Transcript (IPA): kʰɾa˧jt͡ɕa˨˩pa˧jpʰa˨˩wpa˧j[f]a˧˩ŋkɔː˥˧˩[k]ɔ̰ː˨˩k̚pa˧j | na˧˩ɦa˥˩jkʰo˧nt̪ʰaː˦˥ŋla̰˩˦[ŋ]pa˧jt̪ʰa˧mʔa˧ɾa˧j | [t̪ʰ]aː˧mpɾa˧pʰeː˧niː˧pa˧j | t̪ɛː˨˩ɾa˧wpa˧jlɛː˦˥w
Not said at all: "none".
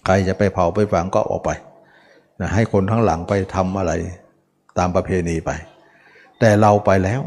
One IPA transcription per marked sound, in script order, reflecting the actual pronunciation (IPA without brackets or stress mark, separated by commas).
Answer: f, ʔ, ŋ, t̪